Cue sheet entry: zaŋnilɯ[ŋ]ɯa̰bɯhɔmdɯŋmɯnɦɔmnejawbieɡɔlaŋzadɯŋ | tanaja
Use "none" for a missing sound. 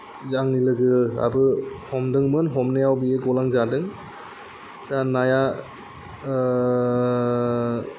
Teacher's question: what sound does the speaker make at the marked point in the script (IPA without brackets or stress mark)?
ɡ